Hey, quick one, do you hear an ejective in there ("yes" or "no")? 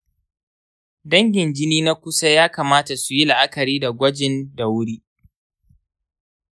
no